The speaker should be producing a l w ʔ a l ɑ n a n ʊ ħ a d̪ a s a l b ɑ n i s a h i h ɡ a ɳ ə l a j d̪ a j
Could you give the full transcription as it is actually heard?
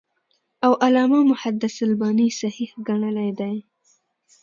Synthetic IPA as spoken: a w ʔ a l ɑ m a m ʊ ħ a d̪ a s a l b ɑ n i s a h i h ɡ a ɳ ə l a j d̪ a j